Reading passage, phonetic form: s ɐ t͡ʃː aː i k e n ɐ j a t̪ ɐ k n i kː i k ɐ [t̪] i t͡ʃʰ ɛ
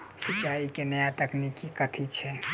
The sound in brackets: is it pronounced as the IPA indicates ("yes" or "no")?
no